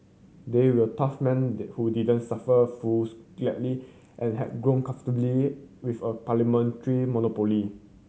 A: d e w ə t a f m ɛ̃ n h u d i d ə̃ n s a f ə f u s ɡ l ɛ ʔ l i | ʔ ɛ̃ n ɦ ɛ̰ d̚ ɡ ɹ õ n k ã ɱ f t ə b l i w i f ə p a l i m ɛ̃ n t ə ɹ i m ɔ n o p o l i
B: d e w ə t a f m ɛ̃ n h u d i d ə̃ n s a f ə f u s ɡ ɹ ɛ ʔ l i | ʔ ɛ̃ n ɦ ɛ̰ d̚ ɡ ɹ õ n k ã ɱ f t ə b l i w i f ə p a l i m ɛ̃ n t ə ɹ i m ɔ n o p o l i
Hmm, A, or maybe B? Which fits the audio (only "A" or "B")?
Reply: A